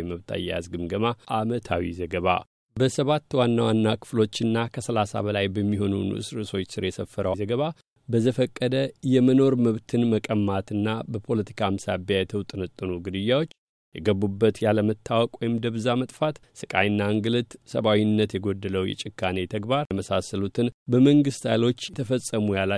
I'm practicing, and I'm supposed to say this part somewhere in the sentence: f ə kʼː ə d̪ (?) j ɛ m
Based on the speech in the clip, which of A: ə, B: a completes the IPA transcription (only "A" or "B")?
A